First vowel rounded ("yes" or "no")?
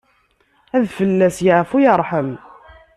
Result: no